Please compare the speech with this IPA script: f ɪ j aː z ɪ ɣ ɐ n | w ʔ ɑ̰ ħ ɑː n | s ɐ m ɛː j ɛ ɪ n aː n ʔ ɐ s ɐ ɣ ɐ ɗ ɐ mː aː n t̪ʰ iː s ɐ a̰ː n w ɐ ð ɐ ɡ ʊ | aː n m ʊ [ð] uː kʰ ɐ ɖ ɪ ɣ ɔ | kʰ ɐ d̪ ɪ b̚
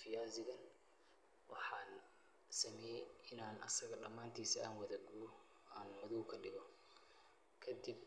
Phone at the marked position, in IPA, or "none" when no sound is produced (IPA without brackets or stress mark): ð